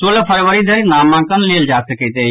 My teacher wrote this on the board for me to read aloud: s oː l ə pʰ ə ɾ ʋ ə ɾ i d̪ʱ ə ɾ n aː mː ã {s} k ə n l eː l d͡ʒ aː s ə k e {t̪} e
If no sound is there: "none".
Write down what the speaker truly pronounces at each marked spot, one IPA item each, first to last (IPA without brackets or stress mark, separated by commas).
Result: none, t̪